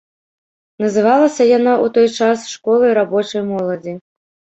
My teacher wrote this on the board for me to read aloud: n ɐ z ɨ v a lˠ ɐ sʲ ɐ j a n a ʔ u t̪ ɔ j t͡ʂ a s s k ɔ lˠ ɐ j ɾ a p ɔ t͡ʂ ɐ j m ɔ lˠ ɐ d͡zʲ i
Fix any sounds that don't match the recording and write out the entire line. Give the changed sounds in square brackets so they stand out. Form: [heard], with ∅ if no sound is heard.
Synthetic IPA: n ɐ z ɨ v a lˠ ɐ sʲ ɐ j a n a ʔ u t̪ ɔ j t͡ʂ a s [ʂ] k ɔ lˠ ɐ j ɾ a [b] ɔ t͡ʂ ɐ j m ɔ lˠ ɐ d͡zʲ i